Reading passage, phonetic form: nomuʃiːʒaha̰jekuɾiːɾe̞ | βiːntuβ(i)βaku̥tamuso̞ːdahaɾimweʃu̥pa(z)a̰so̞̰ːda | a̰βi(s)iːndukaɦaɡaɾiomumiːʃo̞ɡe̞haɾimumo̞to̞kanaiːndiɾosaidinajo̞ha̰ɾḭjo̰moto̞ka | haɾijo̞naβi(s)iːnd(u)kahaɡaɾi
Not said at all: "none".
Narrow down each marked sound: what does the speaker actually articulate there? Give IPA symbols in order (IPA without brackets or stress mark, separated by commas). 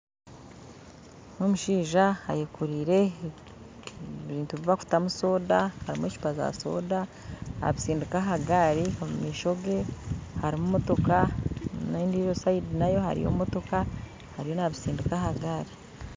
i, z, s, s, u